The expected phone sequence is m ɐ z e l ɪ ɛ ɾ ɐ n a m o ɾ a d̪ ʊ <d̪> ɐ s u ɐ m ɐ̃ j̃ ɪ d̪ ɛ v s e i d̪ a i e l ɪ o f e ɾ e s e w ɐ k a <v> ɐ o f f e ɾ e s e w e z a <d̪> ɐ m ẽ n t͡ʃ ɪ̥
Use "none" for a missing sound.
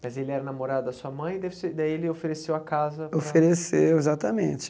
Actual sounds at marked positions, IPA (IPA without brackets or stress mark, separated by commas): d̪, z, t̪